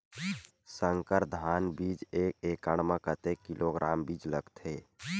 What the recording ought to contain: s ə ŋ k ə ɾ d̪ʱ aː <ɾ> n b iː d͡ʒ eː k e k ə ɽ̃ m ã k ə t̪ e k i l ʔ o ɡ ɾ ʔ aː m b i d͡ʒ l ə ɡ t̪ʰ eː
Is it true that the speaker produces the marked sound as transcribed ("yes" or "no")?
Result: no